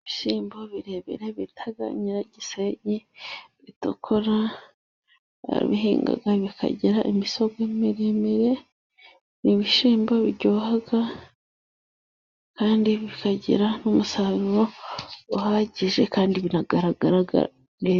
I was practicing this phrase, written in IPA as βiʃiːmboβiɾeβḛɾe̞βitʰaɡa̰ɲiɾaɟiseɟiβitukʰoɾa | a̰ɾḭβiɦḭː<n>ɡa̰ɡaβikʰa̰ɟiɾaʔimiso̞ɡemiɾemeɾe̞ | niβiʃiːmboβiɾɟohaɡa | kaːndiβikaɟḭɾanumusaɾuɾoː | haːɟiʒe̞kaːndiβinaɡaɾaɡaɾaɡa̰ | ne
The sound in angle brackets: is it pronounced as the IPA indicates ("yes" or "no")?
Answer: no